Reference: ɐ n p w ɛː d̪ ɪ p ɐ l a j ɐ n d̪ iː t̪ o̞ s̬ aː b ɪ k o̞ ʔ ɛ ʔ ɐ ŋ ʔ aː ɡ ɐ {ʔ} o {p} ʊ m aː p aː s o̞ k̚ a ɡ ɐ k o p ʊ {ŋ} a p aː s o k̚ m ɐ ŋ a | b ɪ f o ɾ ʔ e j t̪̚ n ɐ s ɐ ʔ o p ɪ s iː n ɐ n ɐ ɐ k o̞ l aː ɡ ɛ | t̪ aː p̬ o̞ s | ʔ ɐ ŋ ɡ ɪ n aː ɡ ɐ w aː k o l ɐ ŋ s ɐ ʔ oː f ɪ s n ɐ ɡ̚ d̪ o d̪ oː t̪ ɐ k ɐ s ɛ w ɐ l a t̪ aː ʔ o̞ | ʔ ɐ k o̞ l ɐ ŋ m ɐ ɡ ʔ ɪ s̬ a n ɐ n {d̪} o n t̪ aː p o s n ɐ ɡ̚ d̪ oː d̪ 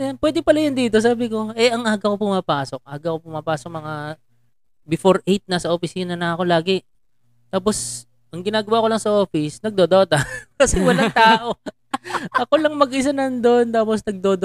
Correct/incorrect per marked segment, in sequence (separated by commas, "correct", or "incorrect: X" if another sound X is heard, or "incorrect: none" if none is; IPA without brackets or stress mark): incorrect: k, correct, incorrect: m, correct